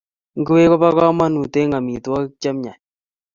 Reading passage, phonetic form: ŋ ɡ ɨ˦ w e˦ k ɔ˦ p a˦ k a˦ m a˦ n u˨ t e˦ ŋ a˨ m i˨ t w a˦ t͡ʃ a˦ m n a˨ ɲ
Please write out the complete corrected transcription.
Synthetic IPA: ŋ ɡ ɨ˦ w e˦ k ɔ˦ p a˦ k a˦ m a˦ n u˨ t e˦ ŋ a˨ m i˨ t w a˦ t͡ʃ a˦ m ɲ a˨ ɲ